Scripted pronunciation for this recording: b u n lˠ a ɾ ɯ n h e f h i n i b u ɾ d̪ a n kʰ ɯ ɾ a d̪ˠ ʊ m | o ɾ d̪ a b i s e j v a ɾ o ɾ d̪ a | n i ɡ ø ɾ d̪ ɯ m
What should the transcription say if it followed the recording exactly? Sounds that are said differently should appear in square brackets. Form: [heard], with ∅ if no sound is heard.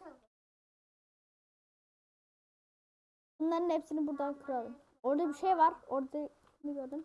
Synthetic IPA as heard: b u n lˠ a ɾ ɯ n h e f [s] i n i b u ɾ d̪ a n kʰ ɯ ɾ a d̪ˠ [ɯ] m | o ɾ d̪ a b i [ʃ] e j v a ɾ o ɾ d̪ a | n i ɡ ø ɾ d̪ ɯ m